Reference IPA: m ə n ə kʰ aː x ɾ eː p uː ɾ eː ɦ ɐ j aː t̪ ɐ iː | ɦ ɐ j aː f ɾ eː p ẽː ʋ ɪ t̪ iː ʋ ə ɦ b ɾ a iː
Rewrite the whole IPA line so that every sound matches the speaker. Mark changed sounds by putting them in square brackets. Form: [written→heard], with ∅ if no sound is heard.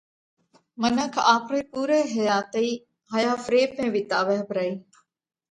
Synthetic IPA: m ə n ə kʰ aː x ɾ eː p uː ɾ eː ɦ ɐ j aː t̪ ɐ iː | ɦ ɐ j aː f ɾ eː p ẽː ʋ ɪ t̪ [iː→aː] ʋ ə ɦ b ɾ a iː